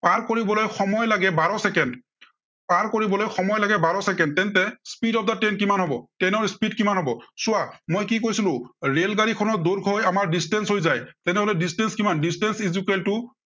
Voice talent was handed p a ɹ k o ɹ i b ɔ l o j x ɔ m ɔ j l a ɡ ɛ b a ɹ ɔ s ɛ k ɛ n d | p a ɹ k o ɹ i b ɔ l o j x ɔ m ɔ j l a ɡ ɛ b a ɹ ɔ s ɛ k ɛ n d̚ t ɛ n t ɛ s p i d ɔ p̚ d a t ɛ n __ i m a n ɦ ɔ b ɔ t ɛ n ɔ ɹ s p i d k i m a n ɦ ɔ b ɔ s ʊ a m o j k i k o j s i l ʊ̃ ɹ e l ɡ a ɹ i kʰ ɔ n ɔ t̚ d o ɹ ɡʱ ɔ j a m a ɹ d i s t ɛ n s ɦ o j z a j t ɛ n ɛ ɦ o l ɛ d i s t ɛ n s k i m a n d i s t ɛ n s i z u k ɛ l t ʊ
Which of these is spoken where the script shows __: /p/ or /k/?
k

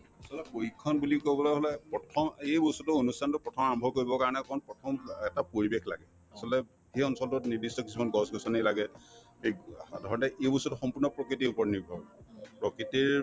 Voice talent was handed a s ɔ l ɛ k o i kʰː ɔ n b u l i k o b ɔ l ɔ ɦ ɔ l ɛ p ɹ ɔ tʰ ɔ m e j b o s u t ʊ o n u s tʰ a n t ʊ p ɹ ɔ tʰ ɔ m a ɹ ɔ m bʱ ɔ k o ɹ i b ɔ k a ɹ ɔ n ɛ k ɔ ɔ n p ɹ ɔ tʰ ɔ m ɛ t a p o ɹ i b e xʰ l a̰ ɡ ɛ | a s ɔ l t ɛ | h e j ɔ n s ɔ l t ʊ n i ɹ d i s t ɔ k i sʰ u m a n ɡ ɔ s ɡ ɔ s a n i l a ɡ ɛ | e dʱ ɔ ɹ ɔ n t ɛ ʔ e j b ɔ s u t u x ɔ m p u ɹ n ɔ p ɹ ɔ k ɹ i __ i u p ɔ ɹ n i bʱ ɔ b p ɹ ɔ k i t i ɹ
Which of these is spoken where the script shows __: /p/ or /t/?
t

